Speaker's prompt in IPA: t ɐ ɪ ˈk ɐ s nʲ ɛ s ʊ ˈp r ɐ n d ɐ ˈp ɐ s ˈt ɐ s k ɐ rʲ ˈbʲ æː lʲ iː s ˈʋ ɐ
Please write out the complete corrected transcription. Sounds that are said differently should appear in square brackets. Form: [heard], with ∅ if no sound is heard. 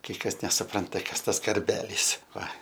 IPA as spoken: [k] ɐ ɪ ˈk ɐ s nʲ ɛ s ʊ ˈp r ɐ n [t] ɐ [ˈk] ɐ s ˈt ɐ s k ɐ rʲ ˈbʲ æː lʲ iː s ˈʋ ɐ